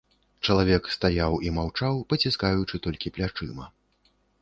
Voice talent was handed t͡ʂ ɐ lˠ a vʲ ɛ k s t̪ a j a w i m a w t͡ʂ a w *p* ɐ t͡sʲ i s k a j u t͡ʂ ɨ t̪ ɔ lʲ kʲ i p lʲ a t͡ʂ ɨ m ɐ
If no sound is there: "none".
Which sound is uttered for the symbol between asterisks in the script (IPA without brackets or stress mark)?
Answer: p